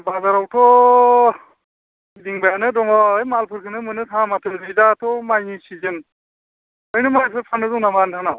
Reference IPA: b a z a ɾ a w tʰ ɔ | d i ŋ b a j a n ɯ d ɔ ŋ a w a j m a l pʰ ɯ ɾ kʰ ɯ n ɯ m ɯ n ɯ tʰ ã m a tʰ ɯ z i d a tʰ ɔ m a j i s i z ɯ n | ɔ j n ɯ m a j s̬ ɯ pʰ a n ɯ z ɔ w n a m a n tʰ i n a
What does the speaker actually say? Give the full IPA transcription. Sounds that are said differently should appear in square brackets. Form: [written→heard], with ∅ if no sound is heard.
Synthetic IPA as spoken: b a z a ɾ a w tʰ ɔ | d i ŋ b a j a n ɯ d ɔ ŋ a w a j m a l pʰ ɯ ɾ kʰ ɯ n ɯ m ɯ n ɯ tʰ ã m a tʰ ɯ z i d a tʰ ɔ m a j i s i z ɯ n | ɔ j n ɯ m a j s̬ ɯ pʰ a n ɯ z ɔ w n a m a n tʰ [i→a] n a